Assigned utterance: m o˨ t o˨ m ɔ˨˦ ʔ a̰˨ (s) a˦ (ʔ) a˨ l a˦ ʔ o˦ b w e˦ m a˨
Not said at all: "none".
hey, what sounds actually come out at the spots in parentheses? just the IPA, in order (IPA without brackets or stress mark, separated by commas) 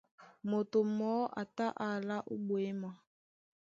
t, ʔ